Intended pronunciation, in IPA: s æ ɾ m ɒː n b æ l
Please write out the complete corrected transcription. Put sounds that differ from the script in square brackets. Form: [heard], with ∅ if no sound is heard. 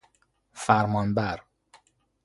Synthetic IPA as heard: [f] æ ɾ m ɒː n b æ [ɾ]